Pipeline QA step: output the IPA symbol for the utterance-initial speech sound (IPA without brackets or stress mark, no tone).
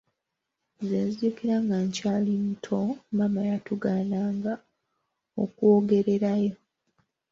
z